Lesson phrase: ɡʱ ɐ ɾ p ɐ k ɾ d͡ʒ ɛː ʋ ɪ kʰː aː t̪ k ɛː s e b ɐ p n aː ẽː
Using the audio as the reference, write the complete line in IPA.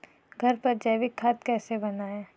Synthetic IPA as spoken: ɡʱ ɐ ɾ p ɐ ɾ d͡ʒ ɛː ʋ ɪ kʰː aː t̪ k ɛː s e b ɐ n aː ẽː